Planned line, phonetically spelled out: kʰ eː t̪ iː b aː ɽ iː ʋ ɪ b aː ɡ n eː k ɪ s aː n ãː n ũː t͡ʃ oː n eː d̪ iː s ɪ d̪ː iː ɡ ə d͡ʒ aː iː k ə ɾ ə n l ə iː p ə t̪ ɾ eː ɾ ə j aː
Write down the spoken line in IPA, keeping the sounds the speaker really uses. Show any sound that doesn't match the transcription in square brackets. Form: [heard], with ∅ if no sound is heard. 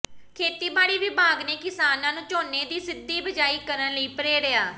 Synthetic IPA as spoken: kʰ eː t̪ iː b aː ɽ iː ʋ ɪ b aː ɡ n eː k ɪ s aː n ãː n ũː t͡ʃ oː n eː d̪ iː s ɪ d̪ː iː [b] ə d͡ʒ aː iː k ə ɾ ə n l ə iː p ə [∅] ɾ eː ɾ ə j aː

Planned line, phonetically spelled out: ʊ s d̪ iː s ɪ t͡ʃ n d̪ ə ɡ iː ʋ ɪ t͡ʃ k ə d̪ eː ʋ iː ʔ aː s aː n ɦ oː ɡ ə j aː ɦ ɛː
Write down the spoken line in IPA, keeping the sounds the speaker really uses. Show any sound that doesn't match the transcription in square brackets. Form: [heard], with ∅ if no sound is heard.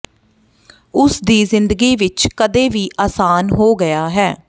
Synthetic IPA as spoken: ʊ s d̪ iː [z] ɪ [∅] n d̪ ə ɡ iː ʋ ɪ t͡ʃ k ə d̪ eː ʋ iː ʔ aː s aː n ɦ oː ɡ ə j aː ɦ ɛː

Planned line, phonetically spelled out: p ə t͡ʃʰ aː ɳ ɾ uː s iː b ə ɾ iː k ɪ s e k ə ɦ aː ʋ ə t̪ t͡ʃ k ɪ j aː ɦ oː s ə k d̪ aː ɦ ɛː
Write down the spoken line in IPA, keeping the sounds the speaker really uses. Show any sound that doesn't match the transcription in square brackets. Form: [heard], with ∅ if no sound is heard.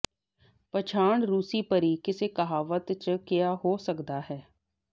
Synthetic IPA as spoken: p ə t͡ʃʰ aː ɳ ɾ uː s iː [p] ə ɾ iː k ɪ s e k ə ɦ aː ʋ ə t̪ t͡ʃ k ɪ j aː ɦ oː s ə k d̪ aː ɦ ɛː

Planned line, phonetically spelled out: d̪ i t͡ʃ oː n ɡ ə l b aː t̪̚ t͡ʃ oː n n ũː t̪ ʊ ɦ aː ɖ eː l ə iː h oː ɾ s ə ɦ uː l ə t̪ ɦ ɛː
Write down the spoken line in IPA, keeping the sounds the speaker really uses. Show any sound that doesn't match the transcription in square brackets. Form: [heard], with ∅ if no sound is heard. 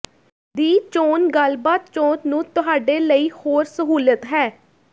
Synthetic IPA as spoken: d̪ [iː] t͡ʃ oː n ɡ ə l b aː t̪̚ t͡ʃ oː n n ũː t̪ ʊ ɦ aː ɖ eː l ə iː h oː ɾ s ə ɦ uː l ə t̪ ɦ ɛː

